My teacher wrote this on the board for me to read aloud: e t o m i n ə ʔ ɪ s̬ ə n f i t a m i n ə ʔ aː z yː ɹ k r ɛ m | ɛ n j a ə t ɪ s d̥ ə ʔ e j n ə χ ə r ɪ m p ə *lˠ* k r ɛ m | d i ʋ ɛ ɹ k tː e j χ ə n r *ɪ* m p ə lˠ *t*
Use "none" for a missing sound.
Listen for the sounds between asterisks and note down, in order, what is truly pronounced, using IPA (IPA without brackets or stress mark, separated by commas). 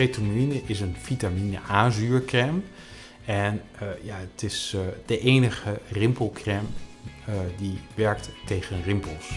lˠ, ɪ, s